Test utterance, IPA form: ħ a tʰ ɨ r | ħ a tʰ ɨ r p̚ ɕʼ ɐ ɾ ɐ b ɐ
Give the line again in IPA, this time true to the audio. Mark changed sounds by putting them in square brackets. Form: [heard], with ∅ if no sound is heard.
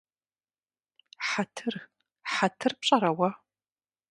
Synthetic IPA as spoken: ħ a tʰ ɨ r | ħ a tʰ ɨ r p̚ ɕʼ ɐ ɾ ɐ [w] ɐ